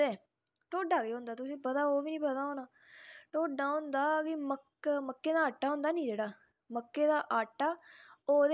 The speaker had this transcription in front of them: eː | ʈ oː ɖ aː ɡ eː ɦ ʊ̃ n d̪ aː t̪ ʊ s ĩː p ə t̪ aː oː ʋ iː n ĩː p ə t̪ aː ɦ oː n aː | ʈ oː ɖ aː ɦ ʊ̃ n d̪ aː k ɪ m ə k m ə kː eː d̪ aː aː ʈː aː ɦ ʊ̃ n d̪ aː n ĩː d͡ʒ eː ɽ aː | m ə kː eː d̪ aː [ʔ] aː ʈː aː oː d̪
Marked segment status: correct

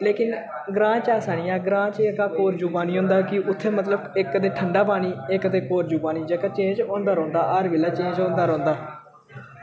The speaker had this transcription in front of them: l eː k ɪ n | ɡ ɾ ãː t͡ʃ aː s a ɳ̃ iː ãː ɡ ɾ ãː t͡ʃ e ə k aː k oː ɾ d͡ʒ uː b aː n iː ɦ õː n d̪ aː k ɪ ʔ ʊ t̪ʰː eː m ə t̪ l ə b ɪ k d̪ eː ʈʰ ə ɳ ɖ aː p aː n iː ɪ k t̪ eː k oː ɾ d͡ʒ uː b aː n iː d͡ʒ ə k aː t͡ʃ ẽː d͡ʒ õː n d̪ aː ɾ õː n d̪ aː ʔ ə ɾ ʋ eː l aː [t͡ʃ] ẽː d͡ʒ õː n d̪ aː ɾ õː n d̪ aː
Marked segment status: correct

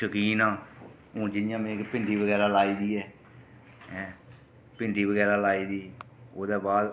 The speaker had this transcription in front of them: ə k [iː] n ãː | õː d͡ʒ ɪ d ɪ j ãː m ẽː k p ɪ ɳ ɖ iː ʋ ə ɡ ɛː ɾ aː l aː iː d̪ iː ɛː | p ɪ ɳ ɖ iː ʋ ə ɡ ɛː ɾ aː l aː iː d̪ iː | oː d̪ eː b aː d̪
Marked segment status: correct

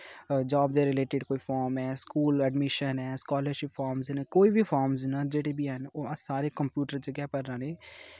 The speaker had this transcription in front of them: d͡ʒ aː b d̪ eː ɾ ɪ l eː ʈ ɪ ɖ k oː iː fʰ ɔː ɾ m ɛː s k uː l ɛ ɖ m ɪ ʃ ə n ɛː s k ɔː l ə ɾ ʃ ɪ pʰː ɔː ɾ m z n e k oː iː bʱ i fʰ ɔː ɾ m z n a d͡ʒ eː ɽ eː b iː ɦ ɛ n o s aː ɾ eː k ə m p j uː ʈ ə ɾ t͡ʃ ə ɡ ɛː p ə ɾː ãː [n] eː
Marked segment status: correct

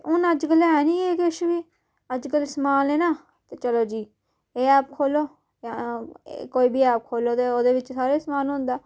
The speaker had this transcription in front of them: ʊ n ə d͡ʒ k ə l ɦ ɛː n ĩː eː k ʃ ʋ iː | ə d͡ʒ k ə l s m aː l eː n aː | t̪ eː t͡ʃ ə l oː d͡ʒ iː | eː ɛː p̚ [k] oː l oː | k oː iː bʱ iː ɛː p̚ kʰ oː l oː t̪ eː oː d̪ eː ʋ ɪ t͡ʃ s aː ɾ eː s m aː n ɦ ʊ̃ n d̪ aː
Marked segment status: incorrect: kʰ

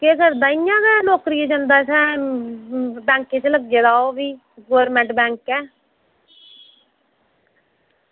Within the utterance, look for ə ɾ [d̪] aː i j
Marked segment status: correct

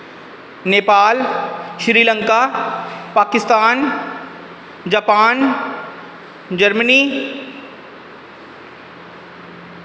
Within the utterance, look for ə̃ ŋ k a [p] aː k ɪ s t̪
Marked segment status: correct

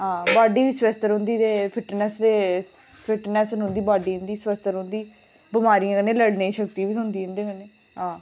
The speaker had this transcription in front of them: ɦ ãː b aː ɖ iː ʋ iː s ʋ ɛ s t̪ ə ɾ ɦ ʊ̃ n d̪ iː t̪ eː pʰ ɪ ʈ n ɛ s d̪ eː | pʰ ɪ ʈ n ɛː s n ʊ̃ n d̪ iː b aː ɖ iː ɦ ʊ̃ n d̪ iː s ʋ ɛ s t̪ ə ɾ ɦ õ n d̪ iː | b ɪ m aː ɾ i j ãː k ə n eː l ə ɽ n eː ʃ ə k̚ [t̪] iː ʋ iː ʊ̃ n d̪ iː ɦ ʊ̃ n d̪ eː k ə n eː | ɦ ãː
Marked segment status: correct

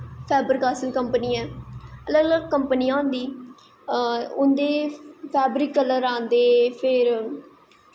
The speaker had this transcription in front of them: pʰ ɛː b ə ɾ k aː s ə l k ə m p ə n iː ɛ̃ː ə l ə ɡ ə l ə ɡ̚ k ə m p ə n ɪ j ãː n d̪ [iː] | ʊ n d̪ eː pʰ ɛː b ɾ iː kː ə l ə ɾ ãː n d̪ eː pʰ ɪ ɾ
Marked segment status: correct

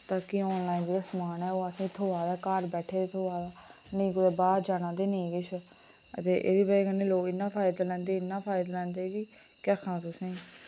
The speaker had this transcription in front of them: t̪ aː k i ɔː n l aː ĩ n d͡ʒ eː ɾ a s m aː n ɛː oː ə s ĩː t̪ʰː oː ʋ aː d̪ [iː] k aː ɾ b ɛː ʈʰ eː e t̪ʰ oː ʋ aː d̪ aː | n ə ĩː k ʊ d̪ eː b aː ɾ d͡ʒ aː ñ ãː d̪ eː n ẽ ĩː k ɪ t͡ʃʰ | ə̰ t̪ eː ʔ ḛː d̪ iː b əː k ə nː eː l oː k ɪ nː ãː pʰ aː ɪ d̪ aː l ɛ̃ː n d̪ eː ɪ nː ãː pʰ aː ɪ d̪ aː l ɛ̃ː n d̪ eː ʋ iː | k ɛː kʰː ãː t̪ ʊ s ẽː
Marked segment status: incorrect: aː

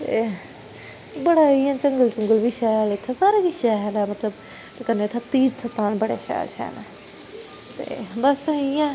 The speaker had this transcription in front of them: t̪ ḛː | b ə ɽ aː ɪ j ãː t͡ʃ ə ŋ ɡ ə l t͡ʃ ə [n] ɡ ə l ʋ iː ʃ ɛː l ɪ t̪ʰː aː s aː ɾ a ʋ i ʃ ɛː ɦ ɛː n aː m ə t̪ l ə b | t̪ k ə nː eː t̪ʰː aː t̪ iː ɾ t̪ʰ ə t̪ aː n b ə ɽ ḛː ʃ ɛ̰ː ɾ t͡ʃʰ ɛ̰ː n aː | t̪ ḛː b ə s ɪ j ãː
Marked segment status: incorrect: ŋ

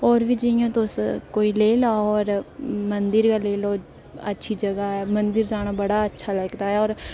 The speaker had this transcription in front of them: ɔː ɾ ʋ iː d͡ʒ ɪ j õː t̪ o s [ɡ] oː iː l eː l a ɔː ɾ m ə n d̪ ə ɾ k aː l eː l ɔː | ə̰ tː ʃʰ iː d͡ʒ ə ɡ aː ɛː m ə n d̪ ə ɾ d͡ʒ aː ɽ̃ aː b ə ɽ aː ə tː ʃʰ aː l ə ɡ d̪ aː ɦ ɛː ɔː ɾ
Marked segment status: incorrect: k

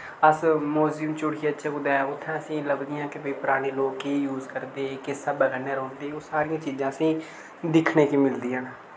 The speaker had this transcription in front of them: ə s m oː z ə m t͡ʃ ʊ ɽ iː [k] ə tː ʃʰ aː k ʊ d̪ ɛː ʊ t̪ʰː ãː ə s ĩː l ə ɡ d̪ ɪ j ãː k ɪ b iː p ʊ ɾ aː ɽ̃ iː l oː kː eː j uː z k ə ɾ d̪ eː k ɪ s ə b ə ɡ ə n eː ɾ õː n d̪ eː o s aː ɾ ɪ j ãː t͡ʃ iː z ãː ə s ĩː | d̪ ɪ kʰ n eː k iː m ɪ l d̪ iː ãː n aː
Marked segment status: incorrect: none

